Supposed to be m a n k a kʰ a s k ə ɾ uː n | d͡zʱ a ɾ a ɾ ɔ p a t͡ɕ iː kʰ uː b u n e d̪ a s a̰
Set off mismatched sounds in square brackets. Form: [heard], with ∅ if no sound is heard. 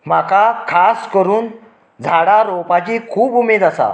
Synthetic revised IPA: m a [∅] k a kʰ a s k ə ɾ uː n | d͡zʱ a [ɽ] a ɾ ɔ p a t͡ɕ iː kʰ uː b u [m] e d̪ a s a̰